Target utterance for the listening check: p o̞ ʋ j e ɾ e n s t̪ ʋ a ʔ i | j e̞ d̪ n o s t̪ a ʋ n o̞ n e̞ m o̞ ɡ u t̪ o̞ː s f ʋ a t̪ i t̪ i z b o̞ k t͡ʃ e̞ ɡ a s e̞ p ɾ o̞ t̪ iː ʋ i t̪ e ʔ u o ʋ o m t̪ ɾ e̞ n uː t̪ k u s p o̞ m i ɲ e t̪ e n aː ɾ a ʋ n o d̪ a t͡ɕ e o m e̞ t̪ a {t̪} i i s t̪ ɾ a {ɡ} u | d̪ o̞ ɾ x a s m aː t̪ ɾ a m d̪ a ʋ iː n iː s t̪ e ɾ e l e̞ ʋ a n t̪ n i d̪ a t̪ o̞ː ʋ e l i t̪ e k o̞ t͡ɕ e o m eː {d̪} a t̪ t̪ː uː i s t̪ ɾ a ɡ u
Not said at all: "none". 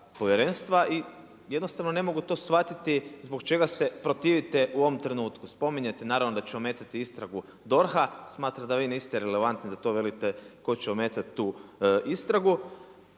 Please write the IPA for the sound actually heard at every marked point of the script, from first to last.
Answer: t̪, ɡ, t̪

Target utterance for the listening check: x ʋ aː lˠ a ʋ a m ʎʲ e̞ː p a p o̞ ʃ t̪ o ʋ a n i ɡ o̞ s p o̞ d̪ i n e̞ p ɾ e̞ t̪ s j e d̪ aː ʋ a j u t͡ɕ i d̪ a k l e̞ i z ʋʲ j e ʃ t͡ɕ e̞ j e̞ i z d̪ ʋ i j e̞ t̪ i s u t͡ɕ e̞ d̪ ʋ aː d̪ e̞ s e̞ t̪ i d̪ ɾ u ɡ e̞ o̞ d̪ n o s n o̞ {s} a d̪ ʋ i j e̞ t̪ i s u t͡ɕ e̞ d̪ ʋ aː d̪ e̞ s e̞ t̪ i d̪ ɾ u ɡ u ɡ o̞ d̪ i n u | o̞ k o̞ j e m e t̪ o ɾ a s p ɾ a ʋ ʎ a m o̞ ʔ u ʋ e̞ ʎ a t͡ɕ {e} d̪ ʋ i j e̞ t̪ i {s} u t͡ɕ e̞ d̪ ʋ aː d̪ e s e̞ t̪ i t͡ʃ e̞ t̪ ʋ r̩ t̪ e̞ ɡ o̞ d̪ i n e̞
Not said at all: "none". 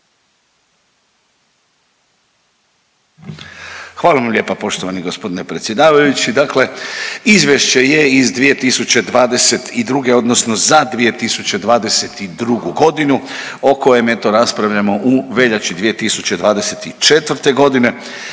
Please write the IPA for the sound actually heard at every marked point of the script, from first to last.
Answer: z, i, s

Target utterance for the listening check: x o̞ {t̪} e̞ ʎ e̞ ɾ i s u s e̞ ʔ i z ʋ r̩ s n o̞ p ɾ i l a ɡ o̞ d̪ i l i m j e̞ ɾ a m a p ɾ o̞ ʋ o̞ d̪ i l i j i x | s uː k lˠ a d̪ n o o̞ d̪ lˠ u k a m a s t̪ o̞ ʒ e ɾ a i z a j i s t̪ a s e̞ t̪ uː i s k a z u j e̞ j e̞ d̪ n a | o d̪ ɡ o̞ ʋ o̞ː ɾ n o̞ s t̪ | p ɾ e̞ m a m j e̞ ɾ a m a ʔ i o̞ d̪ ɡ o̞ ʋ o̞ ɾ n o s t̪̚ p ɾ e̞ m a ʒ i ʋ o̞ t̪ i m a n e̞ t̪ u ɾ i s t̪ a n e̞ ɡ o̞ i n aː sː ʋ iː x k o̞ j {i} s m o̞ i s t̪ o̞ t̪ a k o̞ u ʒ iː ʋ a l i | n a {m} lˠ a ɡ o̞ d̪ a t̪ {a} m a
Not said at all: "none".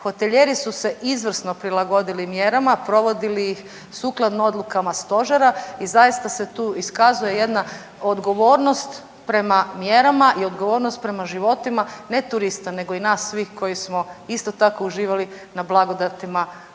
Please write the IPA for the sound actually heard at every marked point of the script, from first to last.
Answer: t̪, i, b, i

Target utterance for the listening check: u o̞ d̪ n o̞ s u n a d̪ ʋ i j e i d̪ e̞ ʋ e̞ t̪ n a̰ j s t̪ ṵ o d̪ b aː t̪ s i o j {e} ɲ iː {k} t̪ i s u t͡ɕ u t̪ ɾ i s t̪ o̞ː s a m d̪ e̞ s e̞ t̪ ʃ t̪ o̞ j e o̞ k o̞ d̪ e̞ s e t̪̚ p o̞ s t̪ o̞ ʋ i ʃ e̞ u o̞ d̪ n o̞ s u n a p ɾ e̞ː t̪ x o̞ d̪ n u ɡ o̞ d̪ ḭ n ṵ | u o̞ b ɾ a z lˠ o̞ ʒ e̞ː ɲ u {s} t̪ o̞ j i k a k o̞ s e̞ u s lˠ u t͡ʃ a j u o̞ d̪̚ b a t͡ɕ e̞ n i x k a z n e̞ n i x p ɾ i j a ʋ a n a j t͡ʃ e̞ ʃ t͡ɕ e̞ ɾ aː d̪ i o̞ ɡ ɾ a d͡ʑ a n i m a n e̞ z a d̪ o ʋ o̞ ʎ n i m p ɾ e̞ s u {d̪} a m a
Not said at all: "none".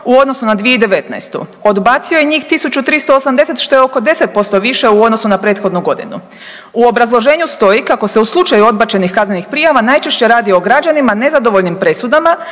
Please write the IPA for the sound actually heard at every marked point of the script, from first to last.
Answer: e, x, s, d̪

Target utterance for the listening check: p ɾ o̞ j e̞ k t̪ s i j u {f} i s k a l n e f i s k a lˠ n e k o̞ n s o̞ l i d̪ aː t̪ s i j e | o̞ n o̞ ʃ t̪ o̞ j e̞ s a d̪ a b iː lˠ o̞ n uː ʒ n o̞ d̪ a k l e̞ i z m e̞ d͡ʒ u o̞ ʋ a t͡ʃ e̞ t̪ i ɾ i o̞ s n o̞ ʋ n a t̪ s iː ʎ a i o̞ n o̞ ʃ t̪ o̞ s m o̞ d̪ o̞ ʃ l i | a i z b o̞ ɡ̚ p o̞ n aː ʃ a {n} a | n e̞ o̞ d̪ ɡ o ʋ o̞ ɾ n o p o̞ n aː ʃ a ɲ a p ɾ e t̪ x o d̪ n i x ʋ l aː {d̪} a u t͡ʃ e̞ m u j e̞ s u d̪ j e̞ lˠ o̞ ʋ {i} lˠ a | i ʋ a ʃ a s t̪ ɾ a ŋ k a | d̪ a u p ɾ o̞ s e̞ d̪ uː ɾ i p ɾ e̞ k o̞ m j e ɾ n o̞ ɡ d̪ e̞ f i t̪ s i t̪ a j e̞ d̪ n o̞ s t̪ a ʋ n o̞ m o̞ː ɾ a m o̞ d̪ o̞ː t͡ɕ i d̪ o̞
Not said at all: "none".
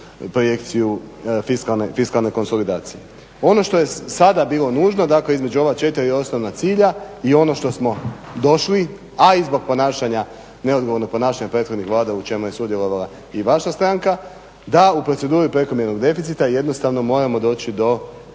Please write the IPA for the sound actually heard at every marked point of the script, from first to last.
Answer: f, ɲ, d̪, a

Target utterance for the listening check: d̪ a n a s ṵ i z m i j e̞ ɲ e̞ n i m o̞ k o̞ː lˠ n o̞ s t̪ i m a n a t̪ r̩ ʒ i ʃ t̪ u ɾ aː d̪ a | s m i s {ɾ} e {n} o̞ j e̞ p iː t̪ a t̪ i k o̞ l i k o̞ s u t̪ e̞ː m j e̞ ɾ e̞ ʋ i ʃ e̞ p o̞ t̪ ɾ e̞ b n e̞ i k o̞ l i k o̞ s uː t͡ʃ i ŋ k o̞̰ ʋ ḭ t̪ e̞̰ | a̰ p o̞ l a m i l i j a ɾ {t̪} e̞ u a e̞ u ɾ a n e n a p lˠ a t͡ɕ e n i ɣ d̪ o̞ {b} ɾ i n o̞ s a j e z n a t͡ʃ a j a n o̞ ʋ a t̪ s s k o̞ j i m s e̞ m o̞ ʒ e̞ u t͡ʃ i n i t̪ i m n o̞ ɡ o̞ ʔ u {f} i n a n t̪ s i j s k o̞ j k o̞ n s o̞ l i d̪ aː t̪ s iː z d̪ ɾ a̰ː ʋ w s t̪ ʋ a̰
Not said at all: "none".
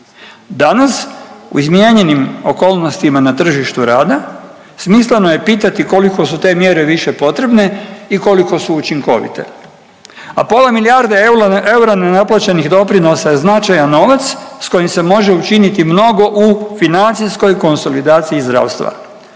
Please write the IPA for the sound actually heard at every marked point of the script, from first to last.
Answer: l, n, d̪, p, f

